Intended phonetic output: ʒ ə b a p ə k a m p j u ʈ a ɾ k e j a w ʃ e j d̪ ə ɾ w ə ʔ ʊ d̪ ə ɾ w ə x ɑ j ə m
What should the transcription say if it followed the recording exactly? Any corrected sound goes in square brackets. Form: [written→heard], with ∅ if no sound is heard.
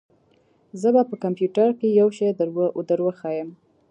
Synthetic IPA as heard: [ʒ→z] ə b a p ə k a m p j u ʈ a ɾ k e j a w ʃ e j d̪ ə ɾ w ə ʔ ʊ d̪ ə ɾ w ə x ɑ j ə m